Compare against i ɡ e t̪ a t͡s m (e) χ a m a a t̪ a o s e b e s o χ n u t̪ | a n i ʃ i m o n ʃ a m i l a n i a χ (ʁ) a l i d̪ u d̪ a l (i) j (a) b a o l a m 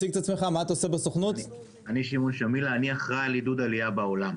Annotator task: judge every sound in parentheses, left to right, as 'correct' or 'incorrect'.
correct, correct, correct, correct

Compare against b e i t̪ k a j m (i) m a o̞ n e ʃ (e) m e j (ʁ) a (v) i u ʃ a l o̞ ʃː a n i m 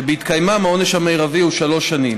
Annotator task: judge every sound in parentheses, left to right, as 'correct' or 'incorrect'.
incorrect: a, incorrect: a, correct, correct

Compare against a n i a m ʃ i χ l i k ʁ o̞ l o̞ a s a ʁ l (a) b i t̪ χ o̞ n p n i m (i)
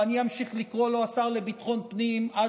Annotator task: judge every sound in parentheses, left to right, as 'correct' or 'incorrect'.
incorrect: e, incorrect: a

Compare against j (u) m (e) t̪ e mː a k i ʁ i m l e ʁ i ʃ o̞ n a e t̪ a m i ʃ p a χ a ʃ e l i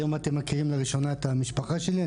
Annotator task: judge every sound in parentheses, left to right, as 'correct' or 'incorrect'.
incorrect: o, incorrect: a

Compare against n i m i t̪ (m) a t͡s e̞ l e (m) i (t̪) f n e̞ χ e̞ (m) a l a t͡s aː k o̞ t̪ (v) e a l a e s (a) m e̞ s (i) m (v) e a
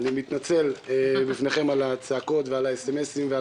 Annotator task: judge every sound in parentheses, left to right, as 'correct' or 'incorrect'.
incorrect: n, incorrect: b, incorrect: none, correct, correct, incorrect: e, correct, correct

